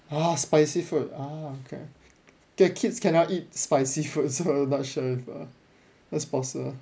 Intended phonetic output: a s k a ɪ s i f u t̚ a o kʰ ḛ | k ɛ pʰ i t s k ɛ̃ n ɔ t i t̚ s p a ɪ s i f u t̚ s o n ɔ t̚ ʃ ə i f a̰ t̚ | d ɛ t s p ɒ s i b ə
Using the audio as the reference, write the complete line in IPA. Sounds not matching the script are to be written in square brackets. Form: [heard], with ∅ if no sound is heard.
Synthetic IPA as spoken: a s [p] a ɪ s i f u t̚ a o kʰ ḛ | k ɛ [kʰ] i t s k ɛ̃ n ɔ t i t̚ s p a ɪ s i f u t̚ s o n ɔ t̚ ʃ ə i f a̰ [∅] | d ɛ t s p [ɔ] s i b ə